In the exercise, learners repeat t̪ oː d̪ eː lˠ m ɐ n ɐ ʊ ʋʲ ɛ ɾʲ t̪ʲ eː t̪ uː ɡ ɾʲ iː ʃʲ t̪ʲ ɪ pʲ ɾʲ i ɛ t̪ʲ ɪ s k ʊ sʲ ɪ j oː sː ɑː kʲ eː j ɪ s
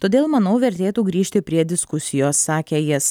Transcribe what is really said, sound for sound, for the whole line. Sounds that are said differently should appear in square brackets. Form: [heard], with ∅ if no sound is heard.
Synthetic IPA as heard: t̪ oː d̪ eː lˠ m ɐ n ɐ ʊ ʋʲ ɛ ɾʲ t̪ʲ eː t̪ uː ɡ ɾʲ iː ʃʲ t̪ʲ ɪ pʲ ɾʲ i ɛ [d̪ʲ] ɪ s k ʊ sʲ ɪ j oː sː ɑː kʲ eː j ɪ s